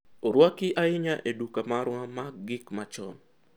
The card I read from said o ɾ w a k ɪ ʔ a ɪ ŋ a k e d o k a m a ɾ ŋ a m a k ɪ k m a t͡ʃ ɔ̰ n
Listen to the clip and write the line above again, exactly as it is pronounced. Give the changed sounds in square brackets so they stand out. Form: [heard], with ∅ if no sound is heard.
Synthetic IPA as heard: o ɾ w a k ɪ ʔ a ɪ [ɲ] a [ʔ] e d [u] k a m a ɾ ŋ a m a [ɡ] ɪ k m a t͡ʃ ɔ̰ n